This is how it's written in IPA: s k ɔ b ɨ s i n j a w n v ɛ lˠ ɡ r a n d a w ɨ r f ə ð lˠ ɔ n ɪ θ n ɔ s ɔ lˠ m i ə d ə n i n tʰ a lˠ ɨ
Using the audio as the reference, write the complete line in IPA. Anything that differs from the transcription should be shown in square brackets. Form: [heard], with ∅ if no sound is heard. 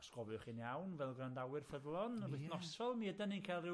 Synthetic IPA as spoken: s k ɔ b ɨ [χ] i n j a w n v ɛ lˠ ɡ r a n d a w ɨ r f ə ð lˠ ɔ n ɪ θ n ɔ s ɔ lˠ m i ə d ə n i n [kʰ] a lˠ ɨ